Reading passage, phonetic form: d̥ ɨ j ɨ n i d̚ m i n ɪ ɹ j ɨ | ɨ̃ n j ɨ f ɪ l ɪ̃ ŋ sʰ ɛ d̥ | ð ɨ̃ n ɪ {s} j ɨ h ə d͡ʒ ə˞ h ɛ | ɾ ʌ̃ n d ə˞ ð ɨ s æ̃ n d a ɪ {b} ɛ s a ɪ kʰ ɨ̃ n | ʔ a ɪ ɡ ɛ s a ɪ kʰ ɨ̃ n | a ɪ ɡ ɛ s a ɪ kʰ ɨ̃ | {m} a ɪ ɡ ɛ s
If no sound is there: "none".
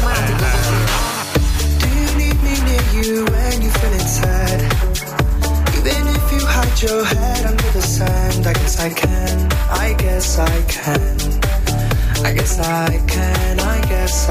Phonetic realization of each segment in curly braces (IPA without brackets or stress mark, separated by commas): f, ɡ, n